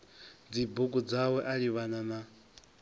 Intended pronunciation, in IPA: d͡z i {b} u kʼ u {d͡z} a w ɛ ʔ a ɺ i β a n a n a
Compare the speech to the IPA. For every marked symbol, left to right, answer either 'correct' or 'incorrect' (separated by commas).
correct, correct